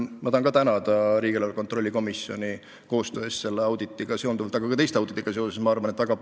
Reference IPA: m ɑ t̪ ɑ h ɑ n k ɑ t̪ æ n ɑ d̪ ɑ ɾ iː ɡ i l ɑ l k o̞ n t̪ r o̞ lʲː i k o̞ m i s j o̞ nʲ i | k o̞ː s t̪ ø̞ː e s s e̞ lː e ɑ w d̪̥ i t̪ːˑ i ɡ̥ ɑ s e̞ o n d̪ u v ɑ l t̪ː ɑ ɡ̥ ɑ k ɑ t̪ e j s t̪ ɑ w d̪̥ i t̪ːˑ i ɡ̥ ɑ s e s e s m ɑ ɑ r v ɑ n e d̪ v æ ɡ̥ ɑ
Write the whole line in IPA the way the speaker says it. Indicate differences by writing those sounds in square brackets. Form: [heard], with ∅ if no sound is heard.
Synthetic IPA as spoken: m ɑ t̪ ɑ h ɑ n k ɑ t̪ æ n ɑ d̪ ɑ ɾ iː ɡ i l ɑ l k o̞ n t̪ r o̞ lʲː i k o̞ m i s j o̞ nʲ i | k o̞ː s t̪ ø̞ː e s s e̞ lː e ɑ w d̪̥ i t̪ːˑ i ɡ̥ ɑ s e̞ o n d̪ u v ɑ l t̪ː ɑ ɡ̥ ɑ k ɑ t̪ e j s t̪ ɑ w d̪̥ i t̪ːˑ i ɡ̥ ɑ s e s e s m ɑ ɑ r v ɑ n e [t̪] v æ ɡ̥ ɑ